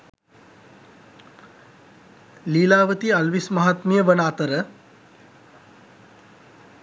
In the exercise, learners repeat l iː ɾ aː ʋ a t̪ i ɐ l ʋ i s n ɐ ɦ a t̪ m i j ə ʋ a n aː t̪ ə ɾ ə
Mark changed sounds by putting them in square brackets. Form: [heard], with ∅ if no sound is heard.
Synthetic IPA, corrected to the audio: l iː [l] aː ʋ [ə] t̪ i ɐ l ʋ i s [m] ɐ ɦ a t̪ m i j ə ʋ [ə] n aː t̪ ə ɾ ə